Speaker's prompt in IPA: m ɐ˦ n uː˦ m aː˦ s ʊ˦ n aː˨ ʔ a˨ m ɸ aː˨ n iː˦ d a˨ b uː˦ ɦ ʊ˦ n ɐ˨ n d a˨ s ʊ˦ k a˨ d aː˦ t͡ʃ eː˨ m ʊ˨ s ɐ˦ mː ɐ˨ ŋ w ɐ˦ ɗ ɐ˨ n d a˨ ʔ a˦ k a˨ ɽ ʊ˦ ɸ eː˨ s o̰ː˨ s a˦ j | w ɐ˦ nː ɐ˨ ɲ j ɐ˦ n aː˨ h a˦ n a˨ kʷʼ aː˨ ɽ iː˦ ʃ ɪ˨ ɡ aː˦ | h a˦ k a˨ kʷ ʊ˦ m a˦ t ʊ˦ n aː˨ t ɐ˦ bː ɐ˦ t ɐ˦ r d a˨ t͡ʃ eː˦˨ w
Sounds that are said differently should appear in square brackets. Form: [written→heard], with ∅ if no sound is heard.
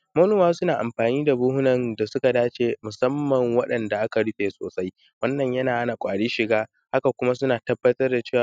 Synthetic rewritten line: m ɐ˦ n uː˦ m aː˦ s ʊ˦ n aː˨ ʔ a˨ m ɸ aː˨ n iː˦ d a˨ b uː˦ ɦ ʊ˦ n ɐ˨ n d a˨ s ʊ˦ k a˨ d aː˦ t͡ʃ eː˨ m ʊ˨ s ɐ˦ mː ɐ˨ ŋ w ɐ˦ ɗ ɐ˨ n d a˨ ʔ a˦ k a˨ ɽ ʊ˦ ɸ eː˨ s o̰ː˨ s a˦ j | w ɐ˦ nː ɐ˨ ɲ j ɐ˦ n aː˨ h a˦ n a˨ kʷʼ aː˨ ɽ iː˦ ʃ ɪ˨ ɡ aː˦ | h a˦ k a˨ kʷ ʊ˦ m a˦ [t→s] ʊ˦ n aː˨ t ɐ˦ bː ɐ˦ t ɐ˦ r d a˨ t͡ʃ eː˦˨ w